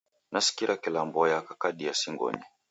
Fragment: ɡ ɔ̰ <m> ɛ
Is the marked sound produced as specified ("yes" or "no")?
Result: no